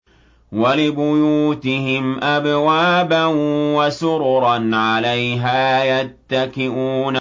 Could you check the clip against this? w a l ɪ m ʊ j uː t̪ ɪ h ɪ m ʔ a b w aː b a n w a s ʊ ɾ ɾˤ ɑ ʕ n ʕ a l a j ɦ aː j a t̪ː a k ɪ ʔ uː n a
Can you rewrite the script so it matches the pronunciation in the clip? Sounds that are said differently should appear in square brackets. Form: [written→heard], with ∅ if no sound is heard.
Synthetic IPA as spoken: w a l ɪ [m→b] ʊ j uː t̪ ɪ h ɪ m ʔ a b w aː b a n w a s ʊ ɾ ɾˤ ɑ [ʕ→∅] n ʕ a l a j ɦ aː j a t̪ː a k ɪ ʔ uː n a